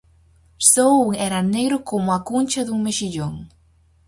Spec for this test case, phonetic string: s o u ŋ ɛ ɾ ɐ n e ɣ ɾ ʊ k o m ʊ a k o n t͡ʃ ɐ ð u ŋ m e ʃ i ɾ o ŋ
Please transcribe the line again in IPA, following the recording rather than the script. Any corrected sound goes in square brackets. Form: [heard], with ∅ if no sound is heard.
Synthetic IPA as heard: s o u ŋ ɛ ɾ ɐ n e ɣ ɾ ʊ k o m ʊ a k [u] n t͡ʃ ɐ ð u ŋ m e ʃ i [ʎ] o ŋ